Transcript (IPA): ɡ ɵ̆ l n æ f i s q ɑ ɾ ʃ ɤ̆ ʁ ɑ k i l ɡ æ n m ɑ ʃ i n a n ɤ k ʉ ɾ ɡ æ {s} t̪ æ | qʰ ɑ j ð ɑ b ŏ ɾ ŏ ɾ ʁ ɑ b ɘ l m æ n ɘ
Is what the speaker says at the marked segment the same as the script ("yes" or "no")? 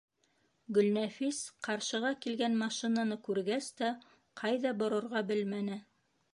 yes